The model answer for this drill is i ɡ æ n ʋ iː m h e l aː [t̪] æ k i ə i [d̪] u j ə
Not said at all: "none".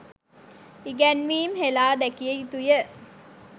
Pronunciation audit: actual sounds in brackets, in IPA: d̪, t̪

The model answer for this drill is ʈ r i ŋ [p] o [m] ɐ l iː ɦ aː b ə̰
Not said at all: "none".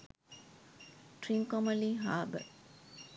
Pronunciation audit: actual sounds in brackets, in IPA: k, m

